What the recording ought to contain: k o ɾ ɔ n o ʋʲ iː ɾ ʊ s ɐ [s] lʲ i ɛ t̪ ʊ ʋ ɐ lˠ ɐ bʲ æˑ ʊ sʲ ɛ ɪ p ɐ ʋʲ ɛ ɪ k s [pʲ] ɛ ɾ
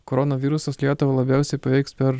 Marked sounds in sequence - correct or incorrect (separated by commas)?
correct, correct